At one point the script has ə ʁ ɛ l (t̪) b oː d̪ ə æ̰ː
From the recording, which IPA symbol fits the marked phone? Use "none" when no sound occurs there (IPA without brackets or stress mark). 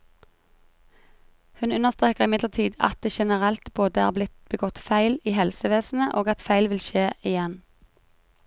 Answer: t̪